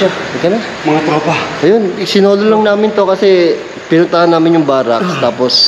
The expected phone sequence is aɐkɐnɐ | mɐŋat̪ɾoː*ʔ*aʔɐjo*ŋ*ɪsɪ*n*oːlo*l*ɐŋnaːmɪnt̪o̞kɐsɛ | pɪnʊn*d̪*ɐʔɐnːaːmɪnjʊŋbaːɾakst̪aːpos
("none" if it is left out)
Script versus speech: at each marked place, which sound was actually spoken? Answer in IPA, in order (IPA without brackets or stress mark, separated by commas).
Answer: p, n, n, l, t̪